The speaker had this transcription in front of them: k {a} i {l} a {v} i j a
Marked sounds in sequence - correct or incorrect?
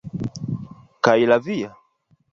correct, correct, correct

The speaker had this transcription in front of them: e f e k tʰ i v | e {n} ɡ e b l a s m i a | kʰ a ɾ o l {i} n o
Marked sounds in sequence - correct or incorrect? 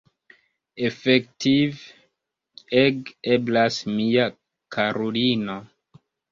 incorrect: none, correct

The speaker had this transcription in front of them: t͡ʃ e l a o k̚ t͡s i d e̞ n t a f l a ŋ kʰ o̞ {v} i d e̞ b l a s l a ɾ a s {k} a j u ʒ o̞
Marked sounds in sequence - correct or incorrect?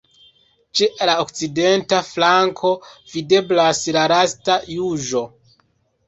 correct, incorrect: t

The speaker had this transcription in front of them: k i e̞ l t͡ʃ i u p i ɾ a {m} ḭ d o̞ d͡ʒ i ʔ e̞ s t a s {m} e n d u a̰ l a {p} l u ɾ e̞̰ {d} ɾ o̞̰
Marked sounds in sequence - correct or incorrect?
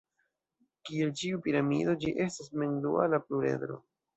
correct, correct, correct, correct

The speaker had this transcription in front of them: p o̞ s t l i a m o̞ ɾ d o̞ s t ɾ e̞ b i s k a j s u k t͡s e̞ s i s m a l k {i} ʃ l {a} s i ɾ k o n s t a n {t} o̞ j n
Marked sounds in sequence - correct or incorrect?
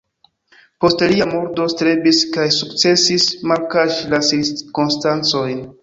incorrect: a, correct, incorrect: t͡s

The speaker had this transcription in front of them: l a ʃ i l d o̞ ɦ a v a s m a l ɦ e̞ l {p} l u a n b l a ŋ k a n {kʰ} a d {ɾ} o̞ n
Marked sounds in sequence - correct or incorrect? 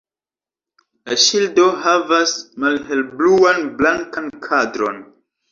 incorrect: b, correct, correct

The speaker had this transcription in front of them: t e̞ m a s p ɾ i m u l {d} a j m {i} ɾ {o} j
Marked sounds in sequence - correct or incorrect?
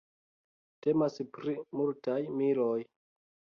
incorrect: t, correct, correct

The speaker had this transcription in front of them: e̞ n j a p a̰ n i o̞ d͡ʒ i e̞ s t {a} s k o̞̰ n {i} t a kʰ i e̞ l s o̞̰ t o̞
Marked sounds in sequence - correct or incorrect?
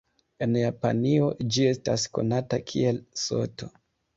correct, incorrect: a

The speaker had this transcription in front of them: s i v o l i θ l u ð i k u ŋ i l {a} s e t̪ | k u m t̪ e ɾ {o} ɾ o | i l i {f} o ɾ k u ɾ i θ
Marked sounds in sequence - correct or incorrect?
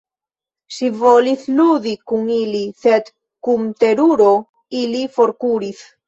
incorrect: i, incorrect: u, correct

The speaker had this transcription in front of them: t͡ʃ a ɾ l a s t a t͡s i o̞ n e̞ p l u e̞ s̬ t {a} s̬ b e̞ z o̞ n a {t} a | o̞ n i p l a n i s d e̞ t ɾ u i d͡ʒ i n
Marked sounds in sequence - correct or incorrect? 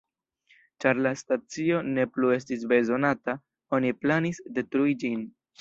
incorrect: i, correct

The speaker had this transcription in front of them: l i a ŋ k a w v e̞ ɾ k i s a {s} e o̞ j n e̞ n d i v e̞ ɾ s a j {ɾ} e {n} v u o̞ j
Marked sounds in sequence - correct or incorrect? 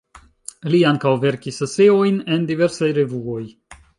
correct, correct, incorrect: none

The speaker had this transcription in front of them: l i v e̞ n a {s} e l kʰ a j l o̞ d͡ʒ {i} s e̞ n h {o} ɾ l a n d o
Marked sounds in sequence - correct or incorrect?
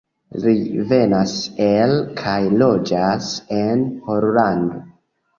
correct, incorrect: a, correct

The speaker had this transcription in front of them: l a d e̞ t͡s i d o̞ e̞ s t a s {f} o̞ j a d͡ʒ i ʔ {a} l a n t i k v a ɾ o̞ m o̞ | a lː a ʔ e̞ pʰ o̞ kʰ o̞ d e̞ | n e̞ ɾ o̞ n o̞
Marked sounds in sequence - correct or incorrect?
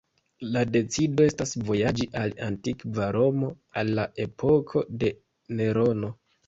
incorrect: v, correct

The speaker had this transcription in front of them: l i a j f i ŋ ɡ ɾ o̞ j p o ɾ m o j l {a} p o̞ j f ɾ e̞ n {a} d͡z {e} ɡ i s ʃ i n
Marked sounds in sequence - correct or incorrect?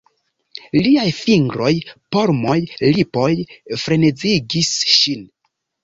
incorrect: i, incorrect: e, incorrect: i

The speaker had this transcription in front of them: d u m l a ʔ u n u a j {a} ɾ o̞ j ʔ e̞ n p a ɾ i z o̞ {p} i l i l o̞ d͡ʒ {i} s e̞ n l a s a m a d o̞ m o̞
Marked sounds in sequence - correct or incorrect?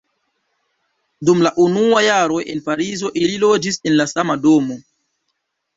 correct, incorrect: ʔ, correct

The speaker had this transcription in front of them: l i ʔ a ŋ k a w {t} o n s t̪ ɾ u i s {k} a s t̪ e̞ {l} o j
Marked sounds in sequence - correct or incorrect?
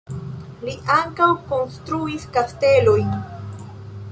incorrect: k, correct, correct

